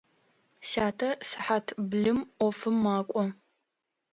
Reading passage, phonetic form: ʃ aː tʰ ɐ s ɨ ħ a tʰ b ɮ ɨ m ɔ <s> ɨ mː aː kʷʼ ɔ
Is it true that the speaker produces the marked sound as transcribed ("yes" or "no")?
no